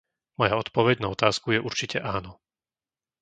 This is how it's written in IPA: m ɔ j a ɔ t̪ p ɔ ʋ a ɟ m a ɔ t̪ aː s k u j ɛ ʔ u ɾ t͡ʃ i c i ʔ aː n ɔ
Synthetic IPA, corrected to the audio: m ɔ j a ɔ t̪ p ɔ ʋ ɛ ɟ n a ɔ t̪ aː s k u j ɛ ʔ u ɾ t͡ʃ i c ɛ ʔ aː n ɔ